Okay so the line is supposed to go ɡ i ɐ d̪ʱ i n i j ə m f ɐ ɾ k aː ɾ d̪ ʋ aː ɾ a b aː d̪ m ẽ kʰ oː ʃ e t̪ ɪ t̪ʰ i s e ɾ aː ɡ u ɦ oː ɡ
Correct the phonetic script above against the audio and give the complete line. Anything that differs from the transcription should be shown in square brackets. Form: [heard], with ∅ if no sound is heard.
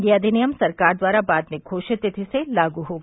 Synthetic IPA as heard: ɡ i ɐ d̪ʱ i n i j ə m [s] ɐ ɾ k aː ɾ d̪ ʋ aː ɾ a b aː d̪ m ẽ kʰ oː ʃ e t̪ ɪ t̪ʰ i s e [l] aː ɡ u ɦ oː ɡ